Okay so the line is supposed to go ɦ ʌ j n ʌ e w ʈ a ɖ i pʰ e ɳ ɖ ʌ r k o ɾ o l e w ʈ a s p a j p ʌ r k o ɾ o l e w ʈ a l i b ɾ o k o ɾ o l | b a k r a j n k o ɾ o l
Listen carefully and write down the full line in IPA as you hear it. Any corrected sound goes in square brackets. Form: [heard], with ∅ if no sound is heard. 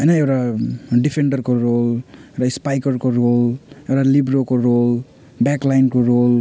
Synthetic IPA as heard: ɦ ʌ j n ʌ e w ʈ a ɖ i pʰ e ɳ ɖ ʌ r k o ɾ o l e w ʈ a s p a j [k] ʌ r k o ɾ o l e w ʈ a l i b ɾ o k o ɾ o l | b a k [l] a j n k o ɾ o l